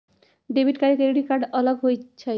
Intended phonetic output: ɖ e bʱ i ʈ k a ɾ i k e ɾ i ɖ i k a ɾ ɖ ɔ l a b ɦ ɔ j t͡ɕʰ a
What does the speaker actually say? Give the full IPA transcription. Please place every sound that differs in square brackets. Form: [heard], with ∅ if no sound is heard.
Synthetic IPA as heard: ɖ e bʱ i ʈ k a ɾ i k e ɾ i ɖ i k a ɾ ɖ ɔ l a b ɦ [o] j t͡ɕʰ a